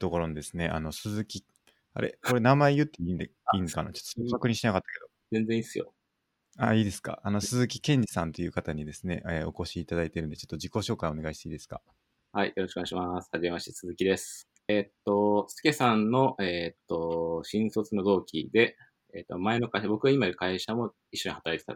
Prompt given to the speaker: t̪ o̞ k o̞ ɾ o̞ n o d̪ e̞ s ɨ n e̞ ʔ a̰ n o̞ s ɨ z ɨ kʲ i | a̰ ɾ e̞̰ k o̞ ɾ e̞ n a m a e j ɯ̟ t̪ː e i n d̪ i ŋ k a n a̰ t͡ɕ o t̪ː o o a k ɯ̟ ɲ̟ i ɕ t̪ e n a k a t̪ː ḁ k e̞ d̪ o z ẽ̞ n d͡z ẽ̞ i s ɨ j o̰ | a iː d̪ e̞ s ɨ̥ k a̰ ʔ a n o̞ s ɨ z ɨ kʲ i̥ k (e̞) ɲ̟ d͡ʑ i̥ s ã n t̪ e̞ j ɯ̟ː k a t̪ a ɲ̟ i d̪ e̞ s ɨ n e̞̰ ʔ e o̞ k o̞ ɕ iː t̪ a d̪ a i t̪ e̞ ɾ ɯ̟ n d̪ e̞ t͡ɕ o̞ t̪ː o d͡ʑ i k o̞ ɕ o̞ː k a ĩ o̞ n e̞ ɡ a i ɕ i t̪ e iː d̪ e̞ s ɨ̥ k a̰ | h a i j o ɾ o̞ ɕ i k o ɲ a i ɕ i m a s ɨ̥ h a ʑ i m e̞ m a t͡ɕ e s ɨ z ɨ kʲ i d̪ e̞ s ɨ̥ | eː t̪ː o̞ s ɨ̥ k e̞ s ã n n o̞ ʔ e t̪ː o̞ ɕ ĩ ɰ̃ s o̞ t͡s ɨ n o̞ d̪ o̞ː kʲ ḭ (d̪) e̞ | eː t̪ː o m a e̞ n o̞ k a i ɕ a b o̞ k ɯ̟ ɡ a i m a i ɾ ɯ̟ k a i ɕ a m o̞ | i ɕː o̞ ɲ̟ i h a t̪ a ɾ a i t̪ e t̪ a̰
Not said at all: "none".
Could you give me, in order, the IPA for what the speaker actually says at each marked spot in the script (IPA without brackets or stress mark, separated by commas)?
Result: ẽ̞, d̪